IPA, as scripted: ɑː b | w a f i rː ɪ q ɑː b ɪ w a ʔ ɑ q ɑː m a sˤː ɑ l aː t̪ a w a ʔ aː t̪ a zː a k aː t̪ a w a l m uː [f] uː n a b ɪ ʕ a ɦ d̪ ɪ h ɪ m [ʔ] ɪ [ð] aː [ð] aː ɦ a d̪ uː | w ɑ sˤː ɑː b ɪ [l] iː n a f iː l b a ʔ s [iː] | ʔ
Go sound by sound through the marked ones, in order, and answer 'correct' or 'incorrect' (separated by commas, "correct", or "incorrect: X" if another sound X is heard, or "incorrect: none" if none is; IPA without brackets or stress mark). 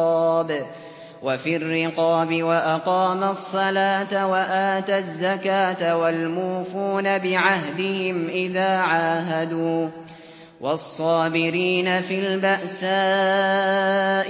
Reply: correct, correct, correct, incorrect: ʕ, incorrect: ɾ, incorrect: aː